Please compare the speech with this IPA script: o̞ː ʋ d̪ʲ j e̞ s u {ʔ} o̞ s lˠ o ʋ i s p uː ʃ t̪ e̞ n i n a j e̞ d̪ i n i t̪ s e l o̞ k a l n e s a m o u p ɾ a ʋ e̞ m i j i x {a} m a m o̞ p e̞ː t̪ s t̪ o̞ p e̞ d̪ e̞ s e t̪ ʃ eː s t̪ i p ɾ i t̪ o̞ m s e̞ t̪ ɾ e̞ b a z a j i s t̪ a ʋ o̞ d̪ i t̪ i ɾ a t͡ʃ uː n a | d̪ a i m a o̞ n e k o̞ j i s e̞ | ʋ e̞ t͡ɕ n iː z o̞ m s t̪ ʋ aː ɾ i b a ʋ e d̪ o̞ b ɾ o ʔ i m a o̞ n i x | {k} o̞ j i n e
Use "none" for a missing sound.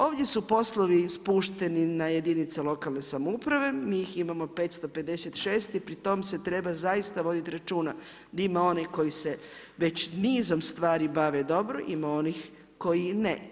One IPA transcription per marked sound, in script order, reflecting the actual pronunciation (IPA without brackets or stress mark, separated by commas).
p, i, k